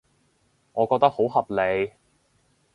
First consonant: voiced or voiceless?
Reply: voiced